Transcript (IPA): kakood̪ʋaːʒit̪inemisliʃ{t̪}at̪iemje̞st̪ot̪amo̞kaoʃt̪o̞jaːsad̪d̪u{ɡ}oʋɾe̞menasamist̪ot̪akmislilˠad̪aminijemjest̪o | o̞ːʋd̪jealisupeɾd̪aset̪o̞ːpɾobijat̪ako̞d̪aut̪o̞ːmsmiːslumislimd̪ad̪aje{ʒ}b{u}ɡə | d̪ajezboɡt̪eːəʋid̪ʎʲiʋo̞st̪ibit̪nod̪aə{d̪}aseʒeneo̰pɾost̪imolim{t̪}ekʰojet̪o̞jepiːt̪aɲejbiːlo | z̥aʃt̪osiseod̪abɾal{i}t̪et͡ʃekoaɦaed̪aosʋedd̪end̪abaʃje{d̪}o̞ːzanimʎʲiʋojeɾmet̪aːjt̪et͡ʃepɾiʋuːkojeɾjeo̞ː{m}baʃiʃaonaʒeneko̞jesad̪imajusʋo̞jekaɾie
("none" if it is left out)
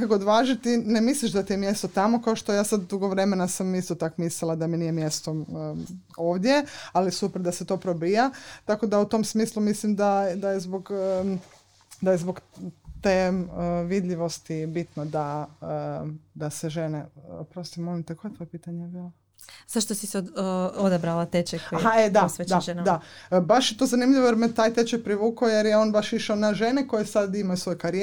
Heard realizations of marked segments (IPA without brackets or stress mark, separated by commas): d̪, ɡ, z, o, d̪, t̪, a, t̪, n